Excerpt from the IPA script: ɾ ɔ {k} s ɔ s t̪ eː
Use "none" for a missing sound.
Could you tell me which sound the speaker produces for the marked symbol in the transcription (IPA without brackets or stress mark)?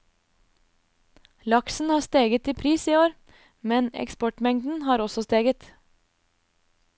none